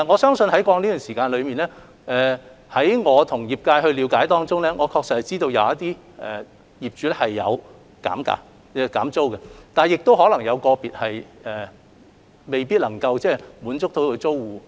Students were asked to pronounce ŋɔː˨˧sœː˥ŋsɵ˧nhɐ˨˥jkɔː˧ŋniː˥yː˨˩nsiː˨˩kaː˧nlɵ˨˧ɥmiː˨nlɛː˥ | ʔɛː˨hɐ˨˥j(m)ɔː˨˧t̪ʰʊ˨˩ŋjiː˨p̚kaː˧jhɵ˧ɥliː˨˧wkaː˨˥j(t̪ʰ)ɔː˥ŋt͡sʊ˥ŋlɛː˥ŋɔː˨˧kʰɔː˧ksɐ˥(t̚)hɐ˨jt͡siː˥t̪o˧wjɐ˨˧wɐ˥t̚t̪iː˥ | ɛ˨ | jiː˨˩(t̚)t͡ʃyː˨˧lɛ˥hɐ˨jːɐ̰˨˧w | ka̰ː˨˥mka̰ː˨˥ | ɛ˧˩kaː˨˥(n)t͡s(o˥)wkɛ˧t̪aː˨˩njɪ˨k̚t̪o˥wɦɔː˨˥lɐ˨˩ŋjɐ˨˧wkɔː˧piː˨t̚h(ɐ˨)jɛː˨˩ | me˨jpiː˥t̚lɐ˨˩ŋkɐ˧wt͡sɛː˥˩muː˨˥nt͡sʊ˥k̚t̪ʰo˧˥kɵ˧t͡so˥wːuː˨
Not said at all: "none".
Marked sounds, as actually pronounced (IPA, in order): ŋ, t̪, t̚, p̚, m, o˥, ɐ˨

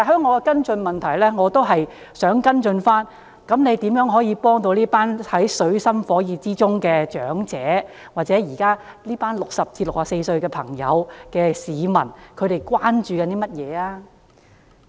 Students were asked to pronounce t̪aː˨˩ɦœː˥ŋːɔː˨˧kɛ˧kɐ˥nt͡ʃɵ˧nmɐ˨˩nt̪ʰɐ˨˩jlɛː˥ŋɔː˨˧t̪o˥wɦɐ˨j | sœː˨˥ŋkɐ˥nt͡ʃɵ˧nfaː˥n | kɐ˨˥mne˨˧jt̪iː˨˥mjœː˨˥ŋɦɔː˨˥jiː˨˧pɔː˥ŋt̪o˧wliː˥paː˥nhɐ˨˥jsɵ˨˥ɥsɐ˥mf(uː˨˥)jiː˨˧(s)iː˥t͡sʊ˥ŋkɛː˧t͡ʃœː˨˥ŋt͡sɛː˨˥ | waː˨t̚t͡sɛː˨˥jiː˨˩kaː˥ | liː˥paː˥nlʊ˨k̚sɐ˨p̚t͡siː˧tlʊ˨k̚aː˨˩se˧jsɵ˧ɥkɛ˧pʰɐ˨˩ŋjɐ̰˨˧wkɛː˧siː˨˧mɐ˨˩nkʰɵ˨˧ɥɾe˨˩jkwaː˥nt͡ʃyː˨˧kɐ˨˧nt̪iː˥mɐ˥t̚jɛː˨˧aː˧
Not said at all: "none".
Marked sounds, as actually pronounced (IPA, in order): ɔː˨˥, t͡s

